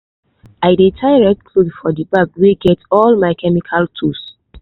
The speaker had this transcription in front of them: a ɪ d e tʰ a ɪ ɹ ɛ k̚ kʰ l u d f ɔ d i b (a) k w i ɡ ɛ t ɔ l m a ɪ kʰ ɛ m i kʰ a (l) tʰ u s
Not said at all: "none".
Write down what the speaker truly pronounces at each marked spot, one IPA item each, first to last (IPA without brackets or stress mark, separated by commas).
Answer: a, l